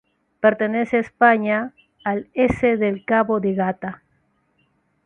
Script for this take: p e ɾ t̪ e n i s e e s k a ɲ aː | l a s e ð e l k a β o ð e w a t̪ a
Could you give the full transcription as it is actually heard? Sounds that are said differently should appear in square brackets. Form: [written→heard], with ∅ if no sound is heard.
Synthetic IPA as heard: p e ɾ t̪ e n [i→e] s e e s [k→p] a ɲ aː | l [a→e] s e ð e l k a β o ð e [w→ɣ] a t̪ a